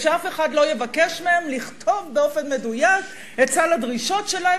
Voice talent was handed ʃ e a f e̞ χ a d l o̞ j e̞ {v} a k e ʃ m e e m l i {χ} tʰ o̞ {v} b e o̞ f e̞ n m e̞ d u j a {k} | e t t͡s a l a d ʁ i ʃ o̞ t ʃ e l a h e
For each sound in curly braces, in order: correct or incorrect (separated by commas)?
correct, correct, correct, correct